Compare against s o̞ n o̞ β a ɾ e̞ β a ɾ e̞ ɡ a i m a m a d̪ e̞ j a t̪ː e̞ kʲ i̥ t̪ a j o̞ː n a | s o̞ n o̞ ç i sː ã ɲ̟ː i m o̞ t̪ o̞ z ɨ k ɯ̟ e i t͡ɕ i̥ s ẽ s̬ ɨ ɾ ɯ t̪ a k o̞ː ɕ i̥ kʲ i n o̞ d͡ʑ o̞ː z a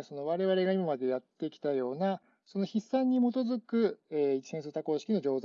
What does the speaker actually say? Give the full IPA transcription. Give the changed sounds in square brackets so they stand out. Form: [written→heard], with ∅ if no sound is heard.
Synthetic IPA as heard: s o̞ n o̞ β a ɾ e̞ β a ɾ e̞ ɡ a i m a m a d̪ e̞ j a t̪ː e̞ kʲ i̥ t̪ a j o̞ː n a | s o̞ n o̞ ç i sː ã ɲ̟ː i m o̞ t̪ o̞ z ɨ k ɯ̟ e i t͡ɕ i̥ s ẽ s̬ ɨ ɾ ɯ t̪ a k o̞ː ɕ i̥ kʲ i n o̞ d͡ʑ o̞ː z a

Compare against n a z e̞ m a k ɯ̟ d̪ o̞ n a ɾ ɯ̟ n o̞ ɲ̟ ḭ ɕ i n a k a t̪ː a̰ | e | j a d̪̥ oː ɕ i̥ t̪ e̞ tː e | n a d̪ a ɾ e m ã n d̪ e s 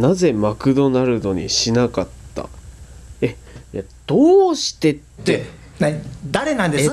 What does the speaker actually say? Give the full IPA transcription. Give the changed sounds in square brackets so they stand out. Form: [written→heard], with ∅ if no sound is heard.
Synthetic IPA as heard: n a z e̞ m a k ɯ̟ d̪ o̞ n a ɾ ɯ̟ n o̞ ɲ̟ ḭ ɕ i n a k a t̪ː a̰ | e | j a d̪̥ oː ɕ i̥ t̪ e̞ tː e | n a d̪ a ɾ e [m→n] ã n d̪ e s

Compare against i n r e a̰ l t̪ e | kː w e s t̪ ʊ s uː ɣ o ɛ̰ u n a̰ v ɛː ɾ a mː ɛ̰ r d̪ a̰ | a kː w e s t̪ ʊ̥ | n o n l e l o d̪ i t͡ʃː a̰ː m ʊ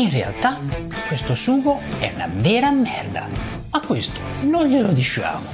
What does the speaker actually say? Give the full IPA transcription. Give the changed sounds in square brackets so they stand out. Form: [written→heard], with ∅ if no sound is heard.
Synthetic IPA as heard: i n r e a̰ l t̪ [e→a] | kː w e s t̪ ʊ s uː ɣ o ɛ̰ u n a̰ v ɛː ɾ a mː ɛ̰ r d̪ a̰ | a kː w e s t̪ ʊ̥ | n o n [l→ʎ] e l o d̪ i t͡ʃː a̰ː m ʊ

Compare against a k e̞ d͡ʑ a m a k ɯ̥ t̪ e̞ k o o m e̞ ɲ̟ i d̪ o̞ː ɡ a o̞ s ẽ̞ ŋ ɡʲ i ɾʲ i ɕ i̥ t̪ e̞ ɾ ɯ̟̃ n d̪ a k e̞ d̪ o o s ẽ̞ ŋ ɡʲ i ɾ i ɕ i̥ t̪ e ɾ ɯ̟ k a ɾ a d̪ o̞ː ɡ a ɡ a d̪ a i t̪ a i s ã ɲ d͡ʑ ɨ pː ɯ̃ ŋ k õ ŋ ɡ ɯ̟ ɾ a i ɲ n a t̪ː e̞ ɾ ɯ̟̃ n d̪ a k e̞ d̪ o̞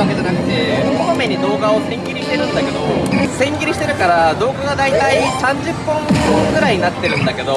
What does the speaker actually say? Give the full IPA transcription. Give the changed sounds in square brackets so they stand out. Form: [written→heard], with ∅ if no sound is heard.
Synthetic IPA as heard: a k e̞ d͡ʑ a [m→n] a k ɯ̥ t̪ e̞ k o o m e̞ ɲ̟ i d̪ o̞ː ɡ a o̞ s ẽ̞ ŋ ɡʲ i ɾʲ i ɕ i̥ t̪ e̞ ɾ ɯ̟̃ n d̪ a k e̞ d̪ o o s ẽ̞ ŋ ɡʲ i ɾ i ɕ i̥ t̪ e ɾ ɯ̟ k a ɾ a d̪ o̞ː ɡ a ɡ a d̪ a i t̪ a i s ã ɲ d͡ʑ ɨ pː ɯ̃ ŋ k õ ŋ ɡ ɯ̟ ɾ a i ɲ n a t̪ː e̞ ɾ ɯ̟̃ n d̪ a k e̞ d̪ o̞

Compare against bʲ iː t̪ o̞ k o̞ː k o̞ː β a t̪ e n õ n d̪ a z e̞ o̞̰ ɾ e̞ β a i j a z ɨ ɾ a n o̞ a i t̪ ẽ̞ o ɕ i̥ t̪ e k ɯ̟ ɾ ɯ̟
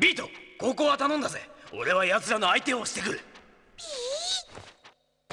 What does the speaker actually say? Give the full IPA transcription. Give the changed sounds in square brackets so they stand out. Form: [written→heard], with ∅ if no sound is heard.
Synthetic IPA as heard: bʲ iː t̪ o̞ k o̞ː k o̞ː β a t̪ [e→a] n õ n d̪ a z e̞ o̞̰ ɾ e̞ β a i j a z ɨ ɾ a n o̞ a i t̪ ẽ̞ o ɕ i̥ t̪ e k ɯ̟ ɾ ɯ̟

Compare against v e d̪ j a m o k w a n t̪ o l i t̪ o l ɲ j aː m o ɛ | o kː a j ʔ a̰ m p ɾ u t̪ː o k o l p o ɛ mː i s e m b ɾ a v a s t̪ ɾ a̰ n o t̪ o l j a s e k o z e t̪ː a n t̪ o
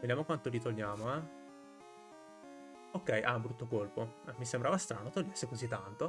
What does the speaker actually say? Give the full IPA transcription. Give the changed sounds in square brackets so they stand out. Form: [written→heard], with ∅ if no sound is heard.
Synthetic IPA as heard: v e d̪ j a m o k w a n t̪ o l i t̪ o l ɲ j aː m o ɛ | o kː [a→ɛ] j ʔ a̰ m [p→b] ɾ u t̪ː o k o l p o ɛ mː i s e m b ɾ a v a s t̪ ɾ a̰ n o t̪ o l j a s e k o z [e→i] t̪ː a n t̪ o

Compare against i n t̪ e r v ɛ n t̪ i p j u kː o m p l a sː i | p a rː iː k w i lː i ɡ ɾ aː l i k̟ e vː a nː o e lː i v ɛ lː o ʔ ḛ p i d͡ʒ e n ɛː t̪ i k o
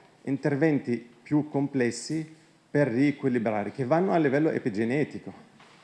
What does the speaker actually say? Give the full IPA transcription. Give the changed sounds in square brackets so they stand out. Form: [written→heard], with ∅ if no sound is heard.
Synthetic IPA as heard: i n t̪ e r v ɛ n t̪ i p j u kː o m p l [a→ɛ] sː i | p [a→e] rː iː k w i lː i [ɡ→b] ɾ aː [l→ɾ] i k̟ e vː a nː o [e→a] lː i v ɛ lː o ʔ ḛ p i d͡ʒ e n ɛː t̪ i k o

